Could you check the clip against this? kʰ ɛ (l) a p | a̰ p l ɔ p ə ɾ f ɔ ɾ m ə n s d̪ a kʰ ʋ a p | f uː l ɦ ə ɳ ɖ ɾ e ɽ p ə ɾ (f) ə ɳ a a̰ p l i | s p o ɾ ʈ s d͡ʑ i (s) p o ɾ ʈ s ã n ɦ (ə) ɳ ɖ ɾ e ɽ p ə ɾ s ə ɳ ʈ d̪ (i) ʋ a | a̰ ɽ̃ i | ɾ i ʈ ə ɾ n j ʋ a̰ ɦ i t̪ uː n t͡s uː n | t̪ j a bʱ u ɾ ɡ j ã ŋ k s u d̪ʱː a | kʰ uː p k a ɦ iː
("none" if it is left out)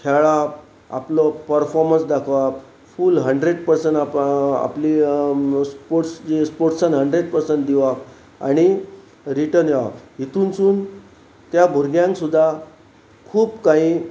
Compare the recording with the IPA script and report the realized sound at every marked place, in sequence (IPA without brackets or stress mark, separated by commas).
ɭ, s, s, ə, i